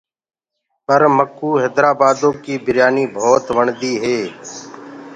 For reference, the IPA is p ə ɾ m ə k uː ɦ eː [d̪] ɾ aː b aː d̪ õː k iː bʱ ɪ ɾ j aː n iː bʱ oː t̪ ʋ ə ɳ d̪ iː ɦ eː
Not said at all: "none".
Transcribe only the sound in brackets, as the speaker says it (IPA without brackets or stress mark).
d̪